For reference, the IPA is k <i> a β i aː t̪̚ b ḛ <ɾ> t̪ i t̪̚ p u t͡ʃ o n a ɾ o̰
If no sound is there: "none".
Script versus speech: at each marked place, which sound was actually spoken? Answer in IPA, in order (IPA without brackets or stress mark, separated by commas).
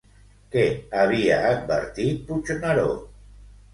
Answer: e, ɾ